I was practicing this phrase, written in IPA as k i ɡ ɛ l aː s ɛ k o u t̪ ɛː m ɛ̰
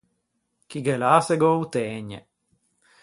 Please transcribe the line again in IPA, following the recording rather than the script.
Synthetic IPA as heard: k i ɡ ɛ l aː s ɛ ɡ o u t̪ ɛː ɲ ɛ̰